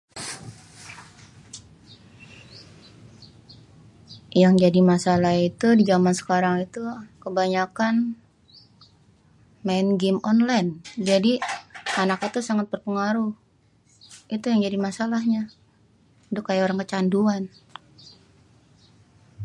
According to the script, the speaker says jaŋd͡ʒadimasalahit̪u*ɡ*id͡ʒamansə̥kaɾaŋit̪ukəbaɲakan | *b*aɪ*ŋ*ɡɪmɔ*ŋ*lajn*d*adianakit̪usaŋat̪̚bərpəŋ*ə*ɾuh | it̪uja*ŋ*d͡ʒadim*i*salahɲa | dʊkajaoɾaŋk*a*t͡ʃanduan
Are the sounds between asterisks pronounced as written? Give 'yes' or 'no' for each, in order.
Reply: no, no, no, no, no, no, yes, no, no

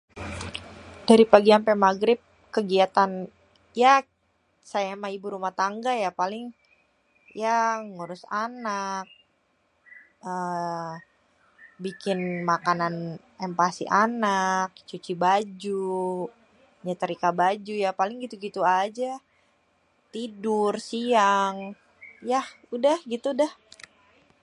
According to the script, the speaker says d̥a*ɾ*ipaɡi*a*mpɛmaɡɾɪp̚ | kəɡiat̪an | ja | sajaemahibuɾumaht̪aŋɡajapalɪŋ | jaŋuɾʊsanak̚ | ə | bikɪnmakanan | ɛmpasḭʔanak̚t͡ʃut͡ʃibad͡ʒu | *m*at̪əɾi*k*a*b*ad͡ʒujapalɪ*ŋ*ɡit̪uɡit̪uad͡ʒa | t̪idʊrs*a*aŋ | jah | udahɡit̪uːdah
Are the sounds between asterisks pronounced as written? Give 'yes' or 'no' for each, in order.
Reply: yes, yes, no, yes, yes, yes, no

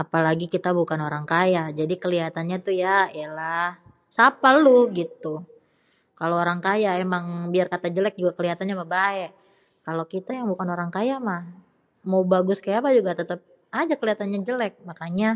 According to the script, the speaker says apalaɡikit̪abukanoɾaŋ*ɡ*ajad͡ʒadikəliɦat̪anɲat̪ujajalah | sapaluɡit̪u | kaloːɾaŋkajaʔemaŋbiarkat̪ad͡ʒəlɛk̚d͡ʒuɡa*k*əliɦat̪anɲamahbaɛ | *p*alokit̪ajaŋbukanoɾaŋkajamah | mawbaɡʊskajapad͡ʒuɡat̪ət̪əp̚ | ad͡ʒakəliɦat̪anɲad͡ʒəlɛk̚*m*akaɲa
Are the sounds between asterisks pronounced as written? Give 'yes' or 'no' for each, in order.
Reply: no, yes, no, yes

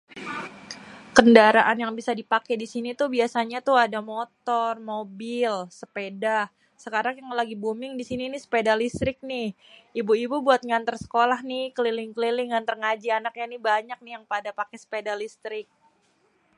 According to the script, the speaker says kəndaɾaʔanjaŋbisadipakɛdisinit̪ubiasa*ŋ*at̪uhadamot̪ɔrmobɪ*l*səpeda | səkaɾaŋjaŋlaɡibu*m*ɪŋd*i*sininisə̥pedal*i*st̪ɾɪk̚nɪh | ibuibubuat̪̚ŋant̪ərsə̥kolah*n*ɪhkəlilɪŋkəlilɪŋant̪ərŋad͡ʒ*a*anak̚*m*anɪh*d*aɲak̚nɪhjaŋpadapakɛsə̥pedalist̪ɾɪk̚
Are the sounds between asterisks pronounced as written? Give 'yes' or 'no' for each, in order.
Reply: no, yes, yes, yes, yes, yes, no, no, no

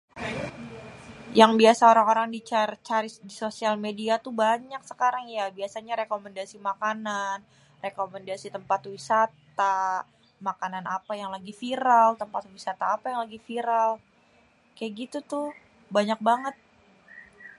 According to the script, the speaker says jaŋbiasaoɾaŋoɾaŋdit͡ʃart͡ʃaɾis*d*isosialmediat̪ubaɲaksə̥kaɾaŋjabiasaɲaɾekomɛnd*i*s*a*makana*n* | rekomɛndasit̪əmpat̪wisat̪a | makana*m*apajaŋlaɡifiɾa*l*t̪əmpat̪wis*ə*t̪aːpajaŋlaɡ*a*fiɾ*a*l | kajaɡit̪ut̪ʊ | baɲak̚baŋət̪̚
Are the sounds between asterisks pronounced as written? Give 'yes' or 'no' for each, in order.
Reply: yes, no, no, yes, no, yes, no, no, yes

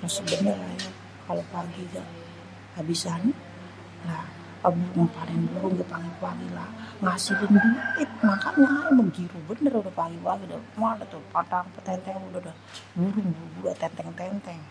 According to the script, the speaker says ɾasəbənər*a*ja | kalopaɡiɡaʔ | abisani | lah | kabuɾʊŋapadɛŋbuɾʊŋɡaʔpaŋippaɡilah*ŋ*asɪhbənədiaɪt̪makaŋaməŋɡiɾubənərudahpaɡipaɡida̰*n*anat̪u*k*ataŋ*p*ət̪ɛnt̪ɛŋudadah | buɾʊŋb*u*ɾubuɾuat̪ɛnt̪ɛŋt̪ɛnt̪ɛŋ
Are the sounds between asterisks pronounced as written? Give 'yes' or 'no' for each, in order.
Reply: yes, yes, no, no, yes, yes

